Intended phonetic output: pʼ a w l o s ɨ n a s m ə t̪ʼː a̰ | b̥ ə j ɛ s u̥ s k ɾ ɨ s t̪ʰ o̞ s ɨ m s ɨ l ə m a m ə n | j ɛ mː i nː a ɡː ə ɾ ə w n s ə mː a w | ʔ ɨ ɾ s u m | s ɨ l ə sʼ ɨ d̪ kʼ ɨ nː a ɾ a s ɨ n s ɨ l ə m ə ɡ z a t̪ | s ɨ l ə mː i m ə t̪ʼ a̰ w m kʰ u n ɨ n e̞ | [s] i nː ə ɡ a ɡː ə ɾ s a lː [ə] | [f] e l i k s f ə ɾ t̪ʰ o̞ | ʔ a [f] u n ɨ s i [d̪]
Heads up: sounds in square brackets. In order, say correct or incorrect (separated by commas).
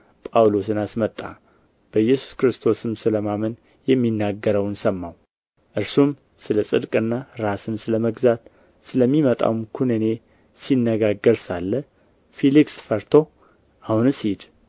correct, correct, correct, incorrect, correct